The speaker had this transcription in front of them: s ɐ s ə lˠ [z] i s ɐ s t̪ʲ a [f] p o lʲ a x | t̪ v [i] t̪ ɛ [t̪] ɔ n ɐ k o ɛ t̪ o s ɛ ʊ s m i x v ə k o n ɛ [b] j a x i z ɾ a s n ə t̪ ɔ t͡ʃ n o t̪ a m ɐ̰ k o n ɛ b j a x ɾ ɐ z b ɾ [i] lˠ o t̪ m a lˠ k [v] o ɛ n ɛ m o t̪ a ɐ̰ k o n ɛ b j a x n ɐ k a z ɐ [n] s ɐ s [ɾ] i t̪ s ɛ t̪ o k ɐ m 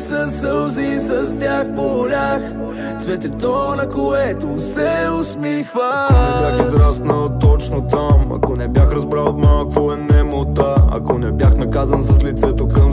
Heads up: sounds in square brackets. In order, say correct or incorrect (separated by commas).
correct, incorrect, incorrect, correct, correct, incorrect, correct, correct, incorrect